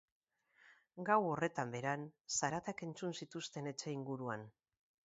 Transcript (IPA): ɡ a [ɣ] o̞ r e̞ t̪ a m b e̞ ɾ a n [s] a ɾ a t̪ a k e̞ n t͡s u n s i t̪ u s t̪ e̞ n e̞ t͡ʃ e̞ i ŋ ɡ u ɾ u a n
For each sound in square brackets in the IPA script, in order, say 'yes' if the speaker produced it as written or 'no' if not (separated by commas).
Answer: no, yes